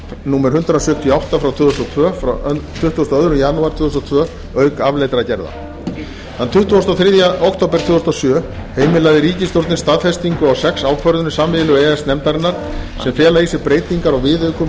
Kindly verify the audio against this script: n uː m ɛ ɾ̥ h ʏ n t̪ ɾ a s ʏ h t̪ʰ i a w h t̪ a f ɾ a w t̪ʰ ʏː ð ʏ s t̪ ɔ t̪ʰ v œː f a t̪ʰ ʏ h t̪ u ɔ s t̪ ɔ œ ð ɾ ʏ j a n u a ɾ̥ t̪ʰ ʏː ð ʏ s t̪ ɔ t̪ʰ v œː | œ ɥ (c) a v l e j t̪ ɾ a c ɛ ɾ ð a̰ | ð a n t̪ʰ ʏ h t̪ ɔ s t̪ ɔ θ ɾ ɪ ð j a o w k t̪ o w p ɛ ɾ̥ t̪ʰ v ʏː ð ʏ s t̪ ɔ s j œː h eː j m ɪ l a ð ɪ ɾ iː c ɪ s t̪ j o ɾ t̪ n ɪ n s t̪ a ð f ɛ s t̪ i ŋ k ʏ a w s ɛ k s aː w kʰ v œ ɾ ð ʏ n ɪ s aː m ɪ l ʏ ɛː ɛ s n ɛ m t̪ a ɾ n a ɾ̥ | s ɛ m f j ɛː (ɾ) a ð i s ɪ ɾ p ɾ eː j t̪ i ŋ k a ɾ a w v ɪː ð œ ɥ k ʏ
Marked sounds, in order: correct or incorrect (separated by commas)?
incorrect, incorrect